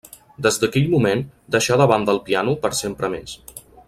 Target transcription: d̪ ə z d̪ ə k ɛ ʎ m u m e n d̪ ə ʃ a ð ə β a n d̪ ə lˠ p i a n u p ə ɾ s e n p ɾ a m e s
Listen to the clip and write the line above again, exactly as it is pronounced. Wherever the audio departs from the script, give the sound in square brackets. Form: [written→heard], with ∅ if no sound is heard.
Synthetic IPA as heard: d̪ ə z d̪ ə k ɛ ʎ m u m e n d̪ ə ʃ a ð ə β a n d̪ ə lˠ p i a n u p ə ɾ s e [n→m] p ɾ [a→ə] m e s